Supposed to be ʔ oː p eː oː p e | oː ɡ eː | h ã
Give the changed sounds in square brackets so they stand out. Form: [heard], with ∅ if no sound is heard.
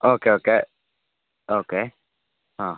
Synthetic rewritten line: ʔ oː [k] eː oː [k] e | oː [k] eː | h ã